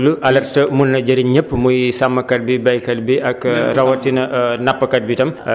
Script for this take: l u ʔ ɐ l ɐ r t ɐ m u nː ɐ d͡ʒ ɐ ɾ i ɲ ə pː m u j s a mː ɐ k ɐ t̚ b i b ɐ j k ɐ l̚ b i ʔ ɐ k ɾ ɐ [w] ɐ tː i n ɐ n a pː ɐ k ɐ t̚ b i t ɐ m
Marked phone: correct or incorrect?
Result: correct